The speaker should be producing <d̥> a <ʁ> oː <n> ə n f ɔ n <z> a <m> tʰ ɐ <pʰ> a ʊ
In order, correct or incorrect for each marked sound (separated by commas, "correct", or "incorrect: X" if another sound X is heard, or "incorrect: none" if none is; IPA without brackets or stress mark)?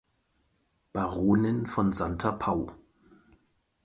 incorrect: b̥, correct, correct, correct, incorrect: n, correct